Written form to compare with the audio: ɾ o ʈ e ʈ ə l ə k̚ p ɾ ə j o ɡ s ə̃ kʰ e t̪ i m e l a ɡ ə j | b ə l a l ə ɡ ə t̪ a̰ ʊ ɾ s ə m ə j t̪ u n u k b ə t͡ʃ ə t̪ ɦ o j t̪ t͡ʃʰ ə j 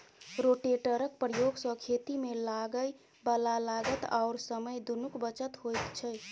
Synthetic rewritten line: ɾ o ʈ e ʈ ə ɾ ə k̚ p ɾ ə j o ɡ s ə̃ kʰ e t̪ i m e l a ɡ ə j | b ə l a l a ɡ ə t̪ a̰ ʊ ɾ s ə m ə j d̪ u n u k b ə t͡ʃ ə t̪ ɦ o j t̪ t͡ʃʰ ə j